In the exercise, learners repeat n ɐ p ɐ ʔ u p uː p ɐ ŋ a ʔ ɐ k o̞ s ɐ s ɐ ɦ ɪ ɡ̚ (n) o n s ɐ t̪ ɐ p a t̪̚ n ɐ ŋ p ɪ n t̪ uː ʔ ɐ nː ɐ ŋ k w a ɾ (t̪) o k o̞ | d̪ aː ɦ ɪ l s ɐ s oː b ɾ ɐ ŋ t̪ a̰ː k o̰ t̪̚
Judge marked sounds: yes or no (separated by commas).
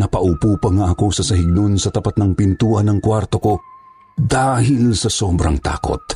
yes, yes